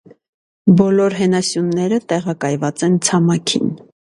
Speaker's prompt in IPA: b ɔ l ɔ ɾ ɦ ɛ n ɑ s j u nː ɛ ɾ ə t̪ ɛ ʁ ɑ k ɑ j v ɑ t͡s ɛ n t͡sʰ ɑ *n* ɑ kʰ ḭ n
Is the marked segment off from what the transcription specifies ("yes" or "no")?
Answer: yes